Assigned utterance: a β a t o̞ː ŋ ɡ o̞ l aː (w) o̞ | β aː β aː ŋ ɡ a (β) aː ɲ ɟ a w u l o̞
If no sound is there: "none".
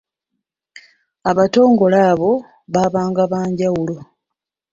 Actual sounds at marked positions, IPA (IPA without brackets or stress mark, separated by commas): β, β